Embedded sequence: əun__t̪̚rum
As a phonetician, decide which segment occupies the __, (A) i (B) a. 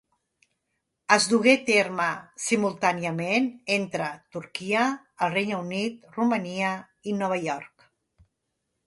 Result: A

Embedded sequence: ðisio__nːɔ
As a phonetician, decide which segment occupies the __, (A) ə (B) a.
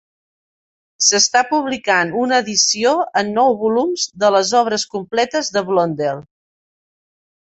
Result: A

